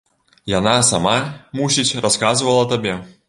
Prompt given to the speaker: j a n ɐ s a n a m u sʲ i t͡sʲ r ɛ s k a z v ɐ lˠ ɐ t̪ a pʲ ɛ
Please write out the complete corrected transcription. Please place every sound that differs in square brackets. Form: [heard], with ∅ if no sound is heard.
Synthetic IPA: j a n [a] s a [m] a m u sʲ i t͡sʲ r [a] s k a z v ɐ lˠ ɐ t̪ a [bʲ] ɛ